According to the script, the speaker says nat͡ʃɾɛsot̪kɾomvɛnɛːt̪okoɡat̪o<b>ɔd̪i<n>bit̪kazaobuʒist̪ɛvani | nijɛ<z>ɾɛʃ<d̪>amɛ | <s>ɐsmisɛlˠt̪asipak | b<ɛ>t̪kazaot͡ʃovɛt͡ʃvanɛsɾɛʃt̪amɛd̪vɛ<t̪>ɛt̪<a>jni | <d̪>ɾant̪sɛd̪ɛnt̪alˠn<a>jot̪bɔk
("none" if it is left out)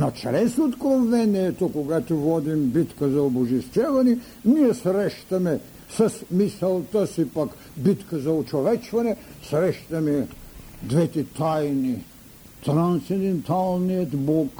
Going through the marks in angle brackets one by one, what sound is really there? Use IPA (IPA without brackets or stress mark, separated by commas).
v, m, s, t̪, s, i, t̪, a, t̪, i